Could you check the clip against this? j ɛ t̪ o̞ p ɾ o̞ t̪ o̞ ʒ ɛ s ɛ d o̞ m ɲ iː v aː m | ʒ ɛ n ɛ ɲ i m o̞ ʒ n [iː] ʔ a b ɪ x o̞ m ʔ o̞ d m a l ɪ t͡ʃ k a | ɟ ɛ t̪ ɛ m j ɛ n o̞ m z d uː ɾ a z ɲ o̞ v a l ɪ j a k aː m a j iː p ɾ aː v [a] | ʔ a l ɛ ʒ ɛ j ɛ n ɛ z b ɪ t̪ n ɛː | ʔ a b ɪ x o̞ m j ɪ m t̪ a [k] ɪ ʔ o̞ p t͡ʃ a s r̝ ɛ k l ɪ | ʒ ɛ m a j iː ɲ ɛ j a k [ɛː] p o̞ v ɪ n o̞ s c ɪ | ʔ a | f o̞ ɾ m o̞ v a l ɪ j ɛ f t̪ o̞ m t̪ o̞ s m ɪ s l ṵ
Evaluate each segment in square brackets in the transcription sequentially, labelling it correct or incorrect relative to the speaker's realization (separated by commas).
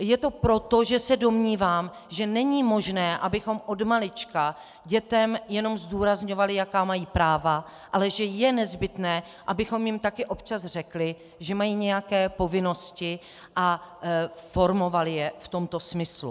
incorrect, correct, correct, correct